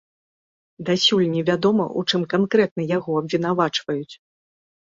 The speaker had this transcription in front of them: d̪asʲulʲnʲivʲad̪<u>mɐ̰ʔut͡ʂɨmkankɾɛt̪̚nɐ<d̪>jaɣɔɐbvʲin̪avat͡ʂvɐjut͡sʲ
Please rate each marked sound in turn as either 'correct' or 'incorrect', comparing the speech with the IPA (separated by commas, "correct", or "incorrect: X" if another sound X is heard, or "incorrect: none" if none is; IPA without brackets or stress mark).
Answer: incorrect: ɔ, incorrect: none